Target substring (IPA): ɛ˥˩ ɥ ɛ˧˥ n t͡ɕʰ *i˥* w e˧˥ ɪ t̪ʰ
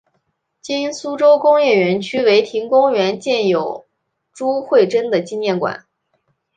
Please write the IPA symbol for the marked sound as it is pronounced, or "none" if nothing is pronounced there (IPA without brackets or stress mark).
y˥